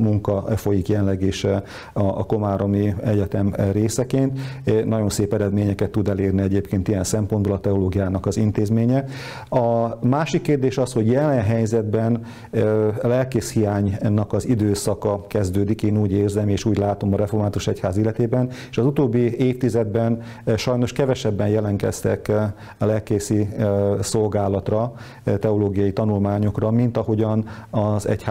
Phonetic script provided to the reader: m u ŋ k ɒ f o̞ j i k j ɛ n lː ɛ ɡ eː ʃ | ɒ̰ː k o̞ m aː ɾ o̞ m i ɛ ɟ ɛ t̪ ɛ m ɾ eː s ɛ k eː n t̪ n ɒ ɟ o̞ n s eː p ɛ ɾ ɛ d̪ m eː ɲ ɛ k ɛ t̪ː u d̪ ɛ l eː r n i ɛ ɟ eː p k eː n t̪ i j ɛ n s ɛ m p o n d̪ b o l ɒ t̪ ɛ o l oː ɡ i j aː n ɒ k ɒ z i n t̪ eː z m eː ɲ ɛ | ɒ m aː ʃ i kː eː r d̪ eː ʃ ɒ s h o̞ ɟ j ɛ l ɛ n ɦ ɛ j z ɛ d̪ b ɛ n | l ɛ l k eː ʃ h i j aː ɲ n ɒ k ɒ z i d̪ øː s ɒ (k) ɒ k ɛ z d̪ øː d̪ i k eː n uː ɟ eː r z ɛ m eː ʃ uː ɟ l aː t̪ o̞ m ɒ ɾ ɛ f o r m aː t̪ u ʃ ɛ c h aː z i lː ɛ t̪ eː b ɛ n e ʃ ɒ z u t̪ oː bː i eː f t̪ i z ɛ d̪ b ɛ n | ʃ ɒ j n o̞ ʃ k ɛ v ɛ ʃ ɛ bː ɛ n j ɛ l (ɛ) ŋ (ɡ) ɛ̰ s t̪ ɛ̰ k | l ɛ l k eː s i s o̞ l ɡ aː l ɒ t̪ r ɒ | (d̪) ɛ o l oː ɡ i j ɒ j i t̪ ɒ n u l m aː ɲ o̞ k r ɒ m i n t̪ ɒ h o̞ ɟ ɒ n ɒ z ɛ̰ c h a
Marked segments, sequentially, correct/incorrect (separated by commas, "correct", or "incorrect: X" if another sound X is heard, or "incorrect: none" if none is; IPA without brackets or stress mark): correct, correct, incorrect: k, incorrect: t̪